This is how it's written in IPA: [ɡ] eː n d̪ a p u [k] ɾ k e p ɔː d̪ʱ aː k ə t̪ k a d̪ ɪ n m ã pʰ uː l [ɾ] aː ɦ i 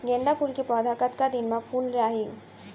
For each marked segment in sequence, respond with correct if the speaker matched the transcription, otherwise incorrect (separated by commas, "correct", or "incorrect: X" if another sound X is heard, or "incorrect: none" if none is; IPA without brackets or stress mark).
correct, incorrect: none, correct